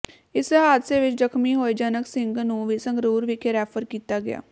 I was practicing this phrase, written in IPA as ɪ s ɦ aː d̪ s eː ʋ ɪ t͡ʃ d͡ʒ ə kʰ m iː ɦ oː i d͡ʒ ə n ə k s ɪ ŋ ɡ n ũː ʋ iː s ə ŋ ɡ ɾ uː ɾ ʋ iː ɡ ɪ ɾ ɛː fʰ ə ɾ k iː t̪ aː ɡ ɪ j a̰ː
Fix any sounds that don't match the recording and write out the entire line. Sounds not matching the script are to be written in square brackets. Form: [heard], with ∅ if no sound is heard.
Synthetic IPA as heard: ɪ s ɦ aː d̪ s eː ʋ ɪ t͡ʃ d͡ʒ ə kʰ m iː ɦ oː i d͡ʒ ə n ə k s ɪ ŋ ɡ n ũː ʋ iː s ə ŋ ɡ ɾ uː ɾ ʋ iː [k] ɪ ɾ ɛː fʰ ə ɾ k iː t̪ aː ɡ ɪ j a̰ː